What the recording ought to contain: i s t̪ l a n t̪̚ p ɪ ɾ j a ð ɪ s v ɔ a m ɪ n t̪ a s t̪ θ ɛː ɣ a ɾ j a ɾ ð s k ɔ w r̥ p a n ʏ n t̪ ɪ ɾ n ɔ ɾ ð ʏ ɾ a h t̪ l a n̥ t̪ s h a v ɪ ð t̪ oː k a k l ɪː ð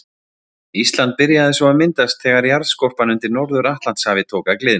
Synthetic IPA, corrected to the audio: i s t̪ l a n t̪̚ p ɪ ɾ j a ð ɪ s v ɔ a m ɪ n t̪ a s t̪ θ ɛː ɣ a ɾ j a ɾ ð s k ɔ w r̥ p a n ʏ n t̪ ɪ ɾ n ɔ ɾ ð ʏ ɾ a h t̪ l a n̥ t̪ s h a v ɪ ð t̪ʰ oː k a k l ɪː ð